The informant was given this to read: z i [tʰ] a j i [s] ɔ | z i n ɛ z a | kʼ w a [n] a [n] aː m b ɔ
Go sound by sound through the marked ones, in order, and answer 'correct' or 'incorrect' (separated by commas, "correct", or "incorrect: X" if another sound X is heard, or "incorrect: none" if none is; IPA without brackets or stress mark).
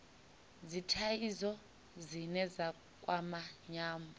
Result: correct, incorrect: z, incorrect: m, incorrect: ɲ